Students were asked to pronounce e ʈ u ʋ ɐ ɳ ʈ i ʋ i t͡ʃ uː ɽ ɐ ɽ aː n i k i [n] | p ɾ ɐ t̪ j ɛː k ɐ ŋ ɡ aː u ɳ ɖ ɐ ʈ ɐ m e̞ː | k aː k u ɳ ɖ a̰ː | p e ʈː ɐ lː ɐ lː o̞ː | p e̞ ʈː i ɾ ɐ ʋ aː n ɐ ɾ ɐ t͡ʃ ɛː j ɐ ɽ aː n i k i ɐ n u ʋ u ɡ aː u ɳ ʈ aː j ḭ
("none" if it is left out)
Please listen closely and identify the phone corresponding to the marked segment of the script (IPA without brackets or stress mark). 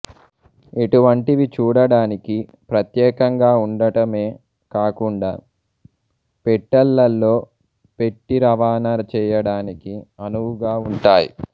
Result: none